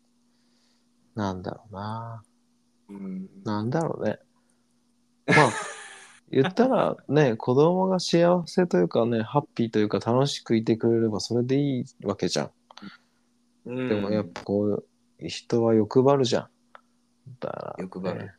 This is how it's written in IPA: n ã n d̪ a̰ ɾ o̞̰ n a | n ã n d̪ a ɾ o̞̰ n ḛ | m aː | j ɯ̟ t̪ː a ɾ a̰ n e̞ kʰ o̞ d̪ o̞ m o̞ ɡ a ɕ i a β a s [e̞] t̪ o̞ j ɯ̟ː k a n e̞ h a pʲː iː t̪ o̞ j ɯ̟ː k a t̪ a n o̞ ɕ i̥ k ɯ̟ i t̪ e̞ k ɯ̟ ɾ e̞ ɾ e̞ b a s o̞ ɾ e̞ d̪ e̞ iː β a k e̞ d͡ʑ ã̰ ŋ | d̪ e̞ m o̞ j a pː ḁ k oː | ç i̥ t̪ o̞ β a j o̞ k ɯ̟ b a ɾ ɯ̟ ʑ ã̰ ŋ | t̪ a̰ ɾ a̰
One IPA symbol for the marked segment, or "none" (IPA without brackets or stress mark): e̞